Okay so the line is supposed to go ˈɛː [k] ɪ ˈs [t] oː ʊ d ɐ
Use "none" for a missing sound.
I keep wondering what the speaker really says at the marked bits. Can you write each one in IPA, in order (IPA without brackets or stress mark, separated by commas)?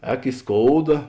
k, k